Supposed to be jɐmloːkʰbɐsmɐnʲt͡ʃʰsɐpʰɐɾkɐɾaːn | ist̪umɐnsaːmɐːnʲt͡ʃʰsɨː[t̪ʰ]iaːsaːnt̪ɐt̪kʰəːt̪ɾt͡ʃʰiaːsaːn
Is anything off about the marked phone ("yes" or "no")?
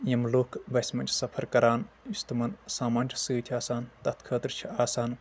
no